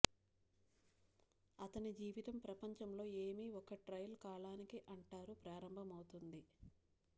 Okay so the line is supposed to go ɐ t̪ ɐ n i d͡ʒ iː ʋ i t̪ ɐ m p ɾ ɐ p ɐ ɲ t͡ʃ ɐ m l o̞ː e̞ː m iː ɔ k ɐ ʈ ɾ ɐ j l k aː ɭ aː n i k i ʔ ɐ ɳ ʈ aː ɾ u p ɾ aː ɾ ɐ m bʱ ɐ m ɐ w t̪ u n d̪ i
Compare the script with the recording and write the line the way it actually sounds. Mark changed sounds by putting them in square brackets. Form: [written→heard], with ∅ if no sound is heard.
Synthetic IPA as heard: ɐ t̪ ɐ n i d͡ʒ iː ʋ i t̪ ɐ m p ɾ ɐ p ɐ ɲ t͡ʃ ɐ m l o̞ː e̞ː m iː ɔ k ɐ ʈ ɾ ɐ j l k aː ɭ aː n i k i ʔ ɐ ɳ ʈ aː ɾ u p ɾ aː ɾ ɐ m bʱ ɐ m ɐ w t̪ u n d̪ i